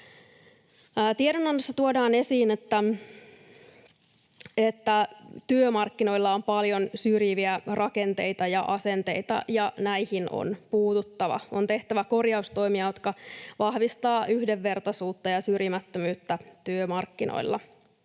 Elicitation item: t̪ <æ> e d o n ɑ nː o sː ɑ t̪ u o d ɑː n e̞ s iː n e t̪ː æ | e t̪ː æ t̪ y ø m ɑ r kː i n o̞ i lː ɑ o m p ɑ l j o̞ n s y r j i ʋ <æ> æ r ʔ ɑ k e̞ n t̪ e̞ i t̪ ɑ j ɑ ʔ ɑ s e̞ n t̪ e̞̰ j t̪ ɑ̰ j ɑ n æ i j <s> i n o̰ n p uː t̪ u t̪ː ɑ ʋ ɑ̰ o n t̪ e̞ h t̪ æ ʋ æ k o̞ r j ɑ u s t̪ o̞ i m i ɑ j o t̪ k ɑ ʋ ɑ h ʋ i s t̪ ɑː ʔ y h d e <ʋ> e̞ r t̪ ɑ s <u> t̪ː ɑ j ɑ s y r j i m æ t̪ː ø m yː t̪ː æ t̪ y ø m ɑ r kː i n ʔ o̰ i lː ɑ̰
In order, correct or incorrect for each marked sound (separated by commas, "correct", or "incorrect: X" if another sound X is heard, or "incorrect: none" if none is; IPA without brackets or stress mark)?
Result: incorrect: i, incorrect: i, incorrect: h, incorrect: ʋː, incorrect: uː